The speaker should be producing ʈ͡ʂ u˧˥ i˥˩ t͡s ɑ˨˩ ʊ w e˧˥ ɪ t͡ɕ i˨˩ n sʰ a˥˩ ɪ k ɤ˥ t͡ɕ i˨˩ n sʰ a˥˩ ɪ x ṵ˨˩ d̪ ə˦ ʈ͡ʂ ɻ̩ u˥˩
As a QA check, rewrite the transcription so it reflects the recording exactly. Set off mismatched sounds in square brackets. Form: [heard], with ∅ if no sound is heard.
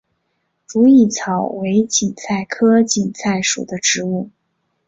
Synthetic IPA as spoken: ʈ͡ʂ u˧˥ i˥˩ [t͡sʰ] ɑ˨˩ ʊ w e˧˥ ɪ t͡ɕ i˨˩ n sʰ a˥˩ ɪ [kʰ] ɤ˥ t͡ɕ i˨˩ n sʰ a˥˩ ɪ [ʂ] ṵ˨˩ d̪ ə˦ ʈ͡ʂ ɻ̩ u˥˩